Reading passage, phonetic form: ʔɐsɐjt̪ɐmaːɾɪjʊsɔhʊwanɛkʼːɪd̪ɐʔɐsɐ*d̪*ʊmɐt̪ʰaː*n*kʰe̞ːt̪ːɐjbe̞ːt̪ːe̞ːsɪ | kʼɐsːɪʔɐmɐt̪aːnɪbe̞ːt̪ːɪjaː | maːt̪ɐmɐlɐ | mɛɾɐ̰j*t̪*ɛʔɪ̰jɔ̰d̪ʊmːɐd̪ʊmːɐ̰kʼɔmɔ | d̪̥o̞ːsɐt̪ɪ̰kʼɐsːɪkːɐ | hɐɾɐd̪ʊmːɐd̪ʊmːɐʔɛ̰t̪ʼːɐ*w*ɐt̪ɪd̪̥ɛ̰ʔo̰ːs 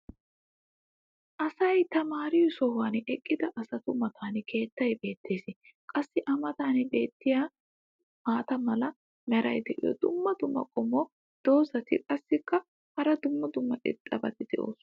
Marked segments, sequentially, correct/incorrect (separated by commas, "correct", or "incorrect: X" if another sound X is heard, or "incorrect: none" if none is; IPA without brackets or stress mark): incorrect: t̪, correct, incorrect: d̪, incorrect: b